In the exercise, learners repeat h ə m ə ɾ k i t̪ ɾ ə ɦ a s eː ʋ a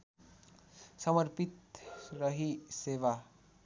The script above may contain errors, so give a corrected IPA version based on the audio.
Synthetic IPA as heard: s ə m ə ɾ p i t̪ ɾ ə ɦ i s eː ʋ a